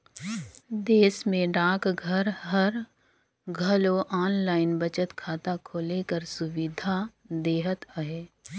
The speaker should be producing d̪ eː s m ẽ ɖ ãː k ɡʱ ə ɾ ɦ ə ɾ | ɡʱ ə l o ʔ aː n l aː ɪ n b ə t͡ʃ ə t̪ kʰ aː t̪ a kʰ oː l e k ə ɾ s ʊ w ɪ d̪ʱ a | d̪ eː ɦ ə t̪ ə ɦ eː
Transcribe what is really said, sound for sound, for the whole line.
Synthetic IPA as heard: d̪ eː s m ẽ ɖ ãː k ɡʱ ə ɾ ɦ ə ɾ | ɡʱ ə l o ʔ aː n l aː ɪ n b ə t͡ʃ ə t̪ kʰ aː t̪ a kʰ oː l e k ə ɾ s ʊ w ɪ d̪ʱ a | d̪ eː ɦ ə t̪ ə ɦ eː